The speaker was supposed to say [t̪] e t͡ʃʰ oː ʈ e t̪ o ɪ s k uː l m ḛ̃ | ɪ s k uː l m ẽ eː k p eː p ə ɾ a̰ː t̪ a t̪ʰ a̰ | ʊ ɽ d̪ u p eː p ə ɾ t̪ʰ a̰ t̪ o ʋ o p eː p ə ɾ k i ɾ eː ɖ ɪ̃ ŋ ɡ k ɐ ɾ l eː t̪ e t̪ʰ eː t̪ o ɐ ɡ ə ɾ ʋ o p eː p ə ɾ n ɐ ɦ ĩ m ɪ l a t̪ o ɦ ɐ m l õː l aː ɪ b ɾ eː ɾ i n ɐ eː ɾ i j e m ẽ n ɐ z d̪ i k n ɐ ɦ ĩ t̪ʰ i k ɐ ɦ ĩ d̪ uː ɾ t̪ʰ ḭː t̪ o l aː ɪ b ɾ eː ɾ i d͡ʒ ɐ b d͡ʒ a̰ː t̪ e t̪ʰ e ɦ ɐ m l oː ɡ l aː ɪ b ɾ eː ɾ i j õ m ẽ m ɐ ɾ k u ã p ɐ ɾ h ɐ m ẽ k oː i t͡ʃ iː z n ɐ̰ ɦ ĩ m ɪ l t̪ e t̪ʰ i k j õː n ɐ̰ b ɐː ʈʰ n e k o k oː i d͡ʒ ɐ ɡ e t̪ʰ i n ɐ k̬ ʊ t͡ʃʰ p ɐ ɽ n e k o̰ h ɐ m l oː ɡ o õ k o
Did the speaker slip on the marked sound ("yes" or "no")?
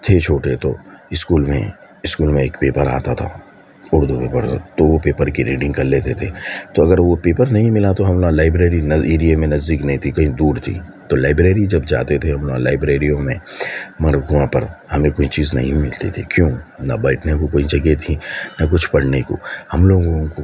yes